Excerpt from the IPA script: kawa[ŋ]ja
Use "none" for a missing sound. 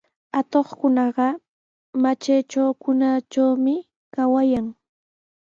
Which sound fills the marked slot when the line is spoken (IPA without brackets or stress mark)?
none